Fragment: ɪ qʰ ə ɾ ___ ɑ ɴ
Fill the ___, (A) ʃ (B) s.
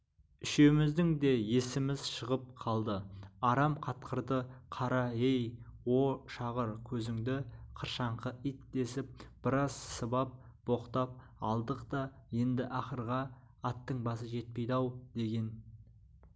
A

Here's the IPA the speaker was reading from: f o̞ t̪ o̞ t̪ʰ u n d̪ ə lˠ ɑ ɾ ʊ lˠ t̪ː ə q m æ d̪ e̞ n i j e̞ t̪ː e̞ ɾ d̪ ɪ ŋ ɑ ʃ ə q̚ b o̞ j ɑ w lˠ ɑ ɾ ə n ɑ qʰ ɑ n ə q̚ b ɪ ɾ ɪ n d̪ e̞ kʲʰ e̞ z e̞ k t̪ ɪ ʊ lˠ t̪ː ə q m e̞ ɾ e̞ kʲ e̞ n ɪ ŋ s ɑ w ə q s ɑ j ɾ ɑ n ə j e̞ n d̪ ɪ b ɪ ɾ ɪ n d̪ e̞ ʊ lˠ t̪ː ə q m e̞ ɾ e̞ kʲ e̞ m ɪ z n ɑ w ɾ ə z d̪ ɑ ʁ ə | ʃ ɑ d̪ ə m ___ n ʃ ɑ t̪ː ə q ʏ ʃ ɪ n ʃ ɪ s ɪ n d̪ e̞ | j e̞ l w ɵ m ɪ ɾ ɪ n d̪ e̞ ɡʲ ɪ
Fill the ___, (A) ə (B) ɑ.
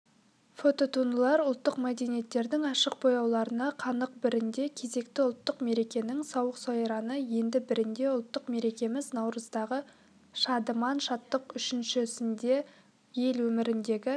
B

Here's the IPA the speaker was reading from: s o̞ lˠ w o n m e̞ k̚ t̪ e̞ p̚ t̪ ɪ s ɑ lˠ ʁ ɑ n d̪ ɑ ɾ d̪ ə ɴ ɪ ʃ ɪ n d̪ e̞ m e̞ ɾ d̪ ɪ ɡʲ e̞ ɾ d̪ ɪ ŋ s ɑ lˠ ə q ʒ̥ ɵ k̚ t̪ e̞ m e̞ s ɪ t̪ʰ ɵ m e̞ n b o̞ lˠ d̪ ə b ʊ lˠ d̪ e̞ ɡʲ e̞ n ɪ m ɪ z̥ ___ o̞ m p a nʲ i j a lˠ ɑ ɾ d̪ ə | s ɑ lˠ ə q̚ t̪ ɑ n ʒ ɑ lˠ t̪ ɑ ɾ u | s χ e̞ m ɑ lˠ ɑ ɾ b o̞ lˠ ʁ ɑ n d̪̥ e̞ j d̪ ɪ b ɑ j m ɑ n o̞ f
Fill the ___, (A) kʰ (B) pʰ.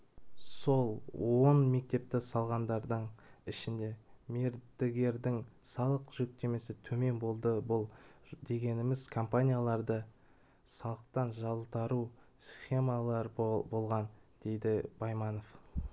A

